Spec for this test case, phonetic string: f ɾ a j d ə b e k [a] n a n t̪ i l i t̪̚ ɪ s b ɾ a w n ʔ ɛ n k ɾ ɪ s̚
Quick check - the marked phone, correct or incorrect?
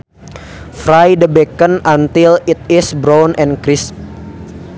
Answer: incorrect